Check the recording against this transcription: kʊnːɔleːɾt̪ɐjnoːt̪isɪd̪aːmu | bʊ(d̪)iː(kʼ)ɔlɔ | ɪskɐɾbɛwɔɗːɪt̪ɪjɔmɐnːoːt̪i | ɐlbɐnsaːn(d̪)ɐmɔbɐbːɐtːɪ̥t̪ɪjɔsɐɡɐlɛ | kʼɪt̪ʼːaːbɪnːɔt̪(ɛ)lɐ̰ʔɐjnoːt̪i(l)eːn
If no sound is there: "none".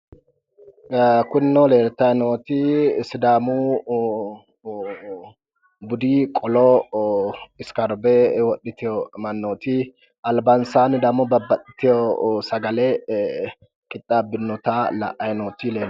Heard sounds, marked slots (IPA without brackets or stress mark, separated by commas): d̪, kʼ, d̪, a, l